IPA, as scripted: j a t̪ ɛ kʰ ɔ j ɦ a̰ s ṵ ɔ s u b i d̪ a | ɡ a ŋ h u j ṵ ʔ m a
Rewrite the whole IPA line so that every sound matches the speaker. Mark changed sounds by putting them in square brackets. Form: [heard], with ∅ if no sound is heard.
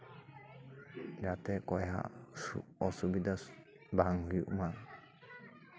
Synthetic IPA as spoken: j a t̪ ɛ [k] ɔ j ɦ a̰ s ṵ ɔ s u b i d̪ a | [b] a ŋ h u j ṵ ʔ m a